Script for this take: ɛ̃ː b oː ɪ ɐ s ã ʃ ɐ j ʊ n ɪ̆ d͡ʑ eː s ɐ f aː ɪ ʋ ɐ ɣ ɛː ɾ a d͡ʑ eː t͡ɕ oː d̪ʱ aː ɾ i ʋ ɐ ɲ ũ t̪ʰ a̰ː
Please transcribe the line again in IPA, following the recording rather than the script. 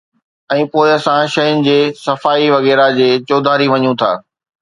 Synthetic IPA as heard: ɛ̃ː p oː ɪ ɐ s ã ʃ ɐ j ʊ n ɪ̆ d͡ʑ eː s ɐ f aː i ʋ ɐ ɣ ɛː ɾ a d͡ʑ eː t͡ɕ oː d̪ʱ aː ɾ i ʋ ɐ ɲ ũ t̪ʰ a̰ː